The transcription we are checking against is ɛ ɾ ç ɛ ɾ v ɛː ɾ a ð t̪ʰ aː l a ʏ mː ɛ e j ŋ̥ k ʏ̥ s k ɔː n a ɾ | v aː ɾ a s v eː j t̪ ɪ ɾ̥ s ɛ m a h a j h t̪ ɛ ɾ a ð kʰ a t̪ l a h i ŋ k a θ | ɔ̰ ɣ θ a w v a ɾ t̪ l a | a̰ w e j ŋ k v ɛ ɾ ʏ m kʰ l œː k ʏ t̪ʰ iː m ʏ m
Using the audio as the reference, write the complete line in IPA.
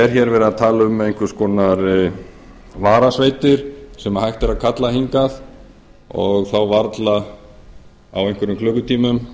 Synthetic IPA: ɛ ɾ ç ɛ ɾ v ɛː ɾ a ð t̪ʰ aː l a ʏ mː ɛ e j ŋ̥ k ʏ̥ s k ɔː n a ɾ | v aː ɾ a s v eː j t̪ ɪ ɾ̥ s ɛ m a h a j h t̪ ɛ ɾ a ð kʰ a t̪ l a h i ŋ k a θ | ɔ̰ ɣ θ a w v a ɾ t̪ l a | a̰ w e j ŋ k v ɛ ɾ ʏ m kʰ l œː k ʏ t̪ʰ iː m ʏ m